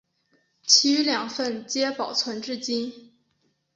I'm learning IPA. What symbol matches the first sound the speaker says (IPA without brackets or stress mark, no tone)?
t͡ɕʰ